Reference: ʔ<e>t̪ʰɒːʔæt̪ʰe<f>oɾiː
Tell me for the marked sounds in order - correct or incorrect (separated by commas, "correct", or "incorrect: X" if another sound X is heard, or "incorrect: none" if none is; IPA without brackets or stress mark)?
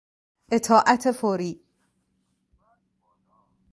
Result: correct, correct